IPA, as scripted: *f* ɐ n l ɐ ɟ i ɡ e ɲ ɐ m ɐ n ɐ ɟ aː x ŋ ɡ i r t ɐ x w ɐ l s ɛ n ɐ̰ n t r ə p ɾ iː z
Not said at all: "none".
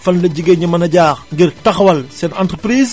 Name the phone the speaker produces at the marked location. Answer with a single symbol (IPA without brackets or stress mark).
f